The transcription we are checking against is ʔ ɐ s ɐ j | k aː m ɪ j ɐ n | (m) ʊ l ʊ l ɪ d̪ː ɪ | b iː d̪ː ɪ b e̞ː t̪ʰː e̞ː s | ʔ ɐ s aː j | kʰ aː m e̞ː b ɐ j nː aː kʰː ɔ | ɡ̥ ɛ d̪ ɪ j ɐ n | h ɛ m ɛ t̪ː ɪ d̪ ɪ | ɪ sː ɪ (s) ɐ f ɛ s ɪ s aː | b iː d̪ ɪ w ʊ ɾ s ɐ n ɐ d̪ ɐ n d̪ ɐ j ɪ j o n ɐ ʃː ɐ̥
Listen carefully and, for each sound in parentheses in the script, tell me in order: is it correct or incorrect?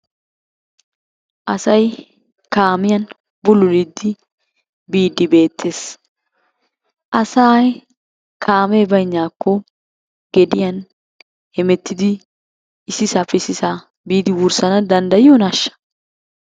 incorrect: b, correct

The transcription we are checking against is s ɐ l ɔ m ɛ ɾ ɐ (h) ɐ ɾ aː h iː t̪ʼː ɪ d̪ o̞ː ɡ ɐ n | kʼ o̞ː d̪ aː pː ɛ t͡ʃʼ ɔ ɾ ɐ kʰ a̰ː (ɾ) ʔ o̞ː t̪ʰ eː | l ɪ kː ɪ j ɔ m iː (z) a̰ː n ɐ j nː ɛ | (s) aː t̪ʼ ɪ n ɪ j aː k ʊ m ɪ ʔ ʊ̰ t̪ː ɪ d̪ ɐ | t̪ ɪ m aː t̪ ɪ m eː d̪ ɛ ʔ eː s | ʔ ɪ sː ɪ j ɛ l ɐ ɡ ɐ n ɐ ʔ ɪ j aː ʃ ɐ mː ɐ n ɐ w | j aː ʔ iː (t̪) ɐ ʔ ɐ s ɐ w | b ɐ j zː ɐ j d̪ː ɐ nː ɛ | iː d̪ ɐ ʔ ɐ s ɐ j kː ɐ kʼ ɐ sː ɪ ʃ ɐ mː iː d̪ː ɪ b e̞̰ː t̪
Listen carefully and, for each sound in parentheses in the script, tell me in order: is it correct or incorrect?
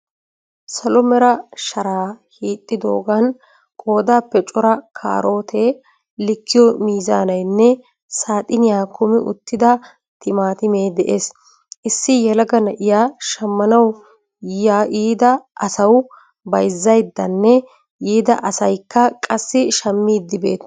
incorrect: ʃ, correct, correct, correct, incorrect: d̪

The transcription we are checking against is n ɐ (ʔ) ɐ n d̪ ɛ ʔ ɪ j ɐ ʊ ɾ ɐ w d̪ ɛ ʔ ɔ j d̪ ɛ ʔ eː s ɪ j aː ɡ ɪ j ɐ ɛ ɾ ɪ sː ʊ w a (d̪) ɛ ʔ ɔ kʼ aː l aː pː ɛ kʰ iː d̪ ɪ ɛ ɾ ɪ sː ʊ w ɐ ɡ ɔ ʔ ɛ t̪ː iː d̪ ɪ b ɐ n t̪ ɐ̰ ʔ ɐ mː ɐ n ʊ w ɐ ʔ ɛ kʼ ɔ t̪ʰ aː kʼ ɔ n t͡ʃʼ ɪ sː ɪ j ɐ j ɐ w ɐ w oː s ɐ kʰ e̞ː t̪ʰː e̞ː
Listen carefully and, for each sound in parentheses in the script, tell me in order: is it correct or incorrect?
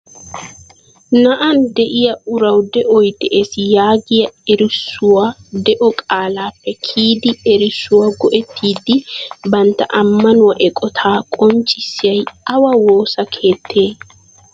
correct, correct

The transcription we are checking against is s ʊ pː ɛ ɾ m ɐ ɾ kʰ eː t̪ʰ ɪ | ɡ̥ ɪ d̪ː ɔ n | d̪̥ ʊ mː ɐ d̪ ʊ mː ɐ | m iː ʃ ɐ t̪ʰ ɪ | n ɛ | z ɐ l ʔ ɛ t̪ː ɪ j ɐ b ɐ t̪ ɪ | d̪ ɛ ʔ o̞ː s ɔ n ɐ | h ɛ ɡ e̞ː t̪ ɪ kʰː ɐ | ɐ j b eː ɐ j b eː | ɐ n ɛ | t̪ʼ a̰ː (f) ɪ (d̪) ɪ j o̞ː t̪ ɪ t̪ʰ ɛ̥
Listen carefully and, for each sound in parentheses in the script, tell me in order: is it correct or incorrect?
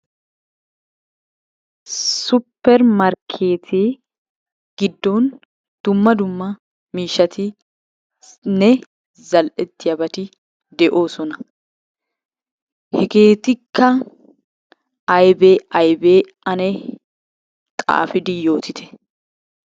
correct, correct

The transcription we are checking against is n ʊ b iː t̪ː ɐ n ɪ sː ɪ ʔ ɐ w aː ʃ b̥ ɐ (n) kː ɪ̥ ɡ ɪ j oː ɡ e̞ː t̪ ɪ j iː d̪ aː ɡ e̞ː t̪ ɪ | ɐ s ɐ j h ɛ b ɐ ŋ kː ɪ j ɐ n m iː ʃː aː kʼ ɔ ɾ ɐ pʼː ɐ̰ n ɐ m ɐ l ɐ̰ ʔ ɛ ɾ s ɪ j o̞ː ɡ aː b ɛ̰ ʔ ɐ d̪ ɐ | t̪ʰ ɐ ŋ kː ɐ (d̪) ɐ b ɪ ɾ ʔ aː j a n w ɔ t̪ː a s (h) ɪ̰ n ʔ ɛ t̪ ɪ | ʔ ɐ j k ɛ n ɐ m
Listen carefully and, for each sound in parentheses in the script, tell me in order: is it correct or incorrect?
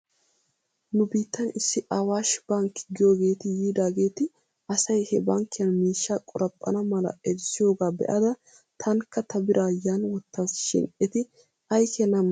incorrect: ŋ, incorrect: t̪, incorrect: ʃ

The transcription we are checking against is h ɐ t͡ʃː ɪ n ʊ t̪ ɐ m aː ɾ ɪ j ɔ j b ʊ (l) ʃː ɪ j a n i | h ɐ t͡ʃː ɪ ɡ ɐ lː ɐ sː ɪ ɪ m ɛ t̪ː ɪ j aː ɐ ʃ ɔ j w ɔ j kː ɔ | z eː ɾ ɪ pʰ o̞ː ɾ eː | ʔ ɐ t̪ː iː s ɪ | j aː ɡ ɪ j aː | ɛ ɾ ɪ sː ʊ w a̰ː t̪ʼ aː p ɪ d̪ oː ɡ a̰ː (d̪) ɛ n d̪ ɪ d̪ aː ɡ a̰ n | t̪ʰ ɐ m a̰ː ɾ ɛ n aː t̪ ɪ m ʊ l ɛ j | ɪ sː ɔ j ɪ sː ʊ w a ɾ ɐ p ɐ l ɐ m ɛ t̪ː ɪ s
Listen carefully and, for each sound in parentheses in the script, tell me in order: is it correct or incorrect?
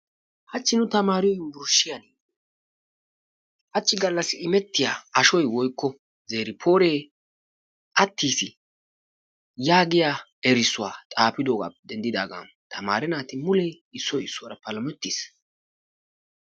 incorrect: ɾ, correct

